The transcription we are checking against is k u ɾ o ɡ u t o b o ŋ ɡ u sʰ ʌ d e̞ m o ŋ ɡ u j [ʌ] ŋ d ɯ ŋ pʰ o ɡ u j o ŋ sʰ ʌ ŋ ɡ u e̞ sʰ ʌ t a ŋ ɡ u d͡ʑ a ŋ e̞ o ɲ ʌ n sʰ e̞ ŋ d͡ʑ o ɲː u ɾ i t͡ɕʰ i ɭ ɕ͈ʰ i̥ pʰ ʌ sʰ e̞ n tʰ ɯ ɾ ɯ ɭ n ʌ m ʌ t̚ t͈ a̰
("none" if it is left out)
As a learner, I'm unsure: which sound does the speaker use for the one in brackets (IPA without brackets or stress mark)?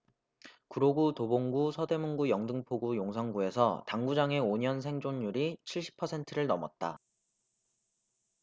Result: ʌ